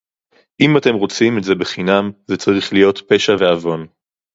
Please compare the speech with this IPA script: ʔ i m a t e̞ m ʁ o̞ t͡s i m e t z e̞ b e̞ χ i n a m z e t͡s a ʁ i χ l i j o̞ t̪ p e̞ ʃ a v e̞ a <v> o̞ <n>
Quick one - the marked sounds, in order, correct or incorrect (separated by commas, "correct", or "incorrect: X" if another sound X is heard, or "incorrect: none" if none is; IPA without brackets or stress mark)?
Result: correct, correct